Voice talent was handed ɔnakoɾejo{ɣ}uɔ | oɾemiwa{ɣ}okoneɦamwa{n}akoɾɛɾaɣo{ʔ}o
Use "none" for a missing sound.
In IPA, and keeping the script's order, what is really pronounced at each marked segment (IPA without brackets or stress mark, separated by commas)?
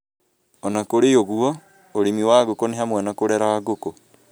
ɣ, ɣ, n, k